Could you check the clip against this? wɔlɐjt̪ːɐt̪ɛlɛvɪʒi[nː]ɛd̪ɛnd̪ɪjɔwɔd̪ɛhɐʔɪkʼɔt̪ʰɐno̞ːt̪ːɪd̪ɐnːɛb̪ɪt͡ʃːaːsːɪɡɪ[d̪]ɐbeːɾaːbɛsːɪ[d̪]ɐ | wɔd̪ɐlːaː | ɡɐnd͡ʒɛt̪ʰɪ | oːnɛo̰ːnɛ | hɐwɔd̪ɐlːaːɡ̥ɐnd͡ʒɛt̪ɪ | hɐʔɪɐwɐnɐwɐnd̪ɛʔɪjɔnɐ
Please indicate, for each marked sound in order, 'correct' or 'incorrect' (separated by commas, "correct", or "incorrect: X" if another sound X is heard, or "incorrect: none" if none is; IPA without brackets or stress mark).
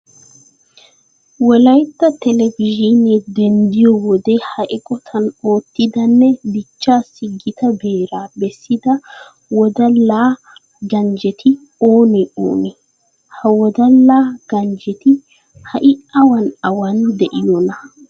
incorrect: n, incorrect: t̪, correct